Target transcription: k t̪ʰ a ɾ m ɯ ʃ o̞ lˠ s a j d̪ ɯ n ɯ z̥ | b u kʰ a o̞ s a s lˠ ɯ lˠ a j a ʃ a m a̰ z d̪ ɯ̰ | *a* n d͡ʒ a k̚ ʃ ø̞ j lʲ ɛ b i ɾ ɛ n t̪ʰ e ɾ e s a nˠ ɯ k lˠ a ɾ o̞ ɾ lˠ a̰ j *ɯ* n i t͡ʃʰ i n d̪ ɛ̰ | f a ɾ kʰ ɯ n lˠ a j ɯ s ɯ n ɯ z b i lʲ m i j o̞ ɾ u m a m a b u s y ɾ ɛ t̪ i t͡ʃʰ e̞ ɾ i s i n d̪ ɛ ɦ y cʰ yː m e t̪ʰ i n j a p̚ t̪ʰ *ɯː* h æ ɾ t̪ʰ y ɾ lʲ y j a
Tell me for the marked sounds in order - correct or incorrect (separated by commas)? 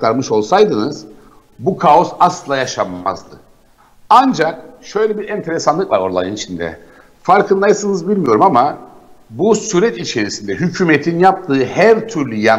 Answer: correct, correct, correct